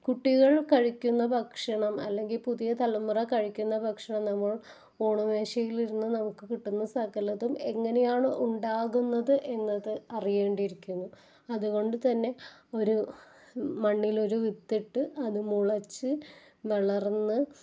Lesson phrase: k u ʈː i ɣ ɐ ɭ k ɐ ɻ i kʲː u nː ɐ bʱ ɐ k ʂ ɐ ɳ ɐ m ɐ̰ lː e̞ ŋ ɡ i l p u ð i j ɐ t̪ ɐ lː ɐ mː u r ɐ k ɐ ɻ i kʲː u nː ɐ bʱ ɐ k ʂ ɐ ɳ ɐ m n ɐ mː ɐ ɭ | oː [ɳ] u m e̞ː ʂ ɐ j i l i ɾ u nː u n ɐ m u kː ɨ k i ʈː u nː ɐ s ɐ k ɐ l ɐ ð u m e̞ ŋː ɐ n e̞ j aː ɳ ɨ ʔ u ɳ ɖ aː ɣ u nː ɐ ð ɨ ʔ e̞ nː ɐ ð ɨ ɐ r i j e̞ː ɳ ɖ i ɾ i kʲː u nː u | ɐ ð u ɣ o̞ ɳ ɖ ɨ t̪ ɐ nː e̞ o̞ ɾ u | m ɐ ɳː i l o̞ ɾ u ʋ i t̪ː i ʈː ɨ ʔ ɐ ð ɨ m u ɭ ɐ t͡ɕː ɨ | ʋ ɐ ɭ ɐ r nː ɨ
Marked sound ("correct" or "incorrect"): correct